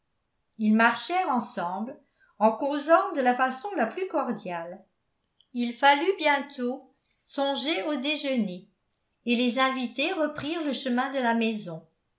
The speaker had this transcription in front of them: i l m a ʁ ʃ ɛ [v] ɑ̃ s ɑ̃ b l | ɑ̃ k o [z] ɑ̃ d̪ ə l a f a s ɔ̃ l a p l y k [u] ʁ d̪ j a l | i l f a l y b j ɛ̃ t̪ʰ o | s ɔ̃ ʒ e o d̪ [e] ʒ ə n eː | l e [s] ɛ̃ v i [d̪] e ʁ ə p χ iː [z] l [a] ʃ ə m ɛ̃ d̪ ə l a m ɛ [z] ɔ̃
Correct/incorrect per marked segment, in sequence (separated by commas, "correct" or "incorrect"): incorrect, correct, incorrect, correct, incorrect, incorrect, incorrect, incorrect, correct